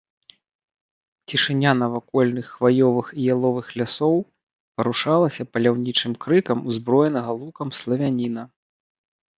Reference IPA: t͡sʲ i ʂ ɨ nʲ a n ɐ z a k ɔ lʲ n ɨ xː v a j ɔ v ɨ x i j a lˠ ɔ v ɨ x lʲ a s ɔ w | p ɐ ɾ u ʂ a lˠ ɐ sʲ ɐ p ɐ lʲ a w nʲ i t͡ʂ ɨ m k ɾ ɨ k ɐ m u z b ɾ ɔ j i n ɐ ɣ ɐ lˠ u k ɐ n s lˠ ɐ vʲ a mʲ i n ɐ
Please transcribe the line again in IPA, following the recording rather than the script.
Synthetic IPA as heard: t͡sʲ i ʂ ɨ nʲ a n ɐ v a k ɔ lʲ n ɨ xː v a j ɔ v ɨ x i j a lˠ ɔ v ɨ x lʲ a s ɔ w | p ɐ ɾ u ʂ a lˠ ɐ sʲ ɐ p ɐ lʲ a w nʲ i t͡ʂ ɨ m k ɾ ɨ k ɐ m u z b ɾ ɔ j ɛ n ɐ ɣ ɐ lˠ u k ɐ m s lˠ ɐ vʲ a nʲ i n ɐ